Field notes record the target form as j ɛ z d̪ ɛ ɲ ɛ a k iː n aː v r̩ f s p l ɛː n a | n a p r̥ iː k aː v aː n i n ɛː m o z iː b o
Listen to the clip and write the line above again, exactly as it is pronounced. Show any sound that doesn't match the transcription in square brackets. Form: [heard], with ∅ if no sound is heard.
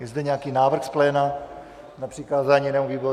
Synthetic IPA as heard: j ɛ z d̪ ɛ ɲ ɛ a k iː n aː v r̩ [x] s p l ɛː n a | n a p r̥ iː k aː [z] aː [ɲ] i n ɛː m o [v] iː b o